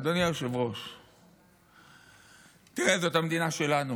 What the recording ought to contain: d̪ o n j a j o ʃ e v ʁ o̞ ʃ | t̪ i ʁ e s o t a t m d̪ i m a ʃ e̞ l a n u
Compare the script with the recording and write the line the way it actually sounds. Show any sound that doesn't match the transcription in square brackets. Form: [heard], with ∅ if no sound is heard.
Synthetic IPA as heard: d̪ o n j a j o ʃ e v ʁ o̞ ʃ | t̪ i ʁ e [z] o t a [∅] m d̪ i [n] a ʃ e̞ l a n u